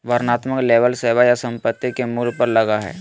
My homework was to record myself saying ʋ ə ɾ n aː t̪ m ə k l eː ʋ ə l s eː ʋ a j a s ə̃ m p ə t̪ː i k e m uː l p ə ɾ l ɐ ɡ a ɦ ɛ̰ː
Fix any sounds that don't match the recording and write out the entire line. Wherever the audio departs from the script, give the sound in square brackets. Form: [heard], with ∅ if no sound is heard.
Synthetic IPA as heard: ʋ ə ɾ n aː t̪ m ə k l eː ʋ ə l s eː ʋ a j a s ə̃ m p ə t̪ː i k e m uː l p ə ɾ l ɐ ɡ a ɦ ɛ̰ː